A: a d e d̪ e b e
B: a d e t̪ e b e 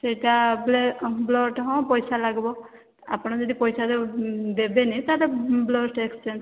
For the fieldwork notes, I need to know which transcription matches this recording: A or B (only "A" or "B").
A